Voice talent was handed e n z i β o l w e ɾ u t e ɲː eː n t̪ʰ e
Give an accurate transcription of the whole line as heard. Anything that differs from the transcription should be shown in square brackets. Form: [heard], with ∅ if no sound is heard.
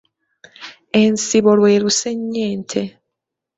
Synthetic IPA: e n [s] i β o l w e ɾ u [s] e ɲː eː n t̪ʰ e